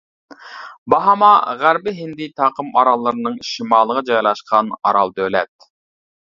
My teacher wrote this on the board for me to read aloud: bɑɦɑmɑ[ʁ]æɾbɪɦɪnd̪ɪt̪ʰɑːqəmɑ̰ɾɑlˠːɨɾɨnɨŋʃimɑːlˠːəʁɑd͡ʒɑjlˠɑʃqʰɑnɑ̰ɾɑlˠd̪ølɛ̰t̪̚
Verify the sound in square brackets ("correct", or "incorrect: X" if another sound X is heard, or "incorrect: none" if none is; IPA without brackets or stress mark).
correct